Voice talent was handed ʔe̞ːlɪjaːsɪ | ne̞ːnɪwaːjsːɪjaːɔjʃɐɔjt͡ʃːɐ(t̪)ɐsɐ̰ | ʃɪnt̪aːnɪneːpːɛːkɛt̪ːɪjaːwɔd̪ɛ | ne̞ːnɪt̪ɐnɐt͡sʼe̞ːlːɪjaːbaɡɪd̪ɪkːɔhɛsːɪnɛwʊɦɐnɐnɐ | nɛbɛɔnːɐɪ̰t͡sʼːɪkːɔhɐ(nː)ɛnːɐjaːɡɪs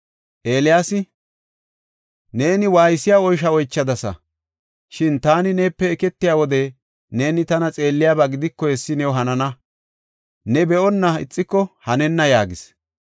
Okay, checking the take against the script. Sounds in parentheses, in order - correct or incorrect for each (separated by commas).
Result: incorrect, incorrect